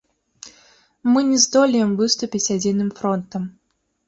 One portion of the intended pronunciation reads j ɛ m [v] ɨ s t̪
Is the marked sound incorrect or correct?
correct